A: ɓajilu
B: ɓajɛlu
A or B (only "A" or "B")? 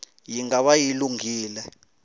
A